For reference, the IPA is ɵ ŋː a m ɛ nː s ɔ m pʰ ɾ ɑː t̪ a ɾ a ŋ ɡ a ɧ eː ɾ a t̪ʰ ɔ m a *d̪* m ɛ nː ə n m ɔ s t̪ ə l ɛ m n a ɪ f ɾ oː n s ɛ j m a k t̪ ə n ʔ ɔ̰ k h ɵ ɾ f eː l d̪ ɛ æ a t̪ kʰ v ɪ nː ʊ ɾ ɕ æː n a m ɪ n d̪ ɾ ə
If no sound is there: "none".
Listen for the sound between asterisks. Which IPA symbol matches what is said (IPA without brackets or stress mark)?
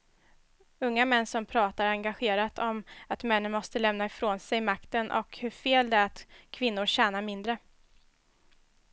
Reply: t̪